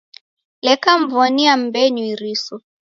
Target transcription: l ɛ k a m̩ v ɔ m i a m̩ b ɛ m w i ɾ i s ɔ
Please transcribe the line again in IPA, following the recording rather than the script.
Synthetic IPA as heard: l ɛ k a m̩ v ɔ n i a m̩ b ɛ ɲ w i ɾ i s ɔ